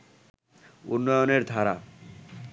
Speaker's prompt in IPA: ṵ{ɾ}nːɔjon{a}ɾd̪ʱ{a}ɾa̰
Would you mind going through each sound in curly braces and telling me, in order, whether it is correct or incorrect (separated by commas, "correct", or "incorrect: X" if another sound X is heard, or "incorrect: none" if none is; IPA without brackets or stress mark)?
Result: incorrect: none, incorrect: e, correct